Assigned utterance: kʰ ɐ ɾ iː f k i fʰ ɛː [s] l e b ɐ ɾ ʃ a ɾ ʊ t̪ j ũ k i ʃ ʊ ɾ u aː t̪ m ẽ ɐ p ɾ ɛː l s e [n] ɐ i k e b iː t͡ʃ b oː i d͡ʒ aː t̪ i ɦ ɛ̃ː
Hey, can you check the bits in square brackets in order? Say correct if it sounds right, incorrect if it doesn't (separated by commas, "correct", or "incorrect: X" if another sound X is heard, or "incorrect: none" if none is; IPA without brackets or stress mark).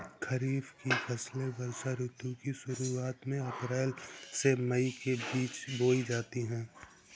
correct, incorrect: m